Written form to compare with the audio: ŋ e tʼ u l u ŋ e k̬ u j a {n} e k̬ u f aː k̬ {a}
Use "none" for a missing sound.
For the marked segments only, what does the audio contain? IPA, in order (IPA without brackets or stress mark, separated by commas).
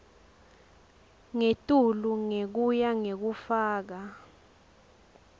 ŋ, a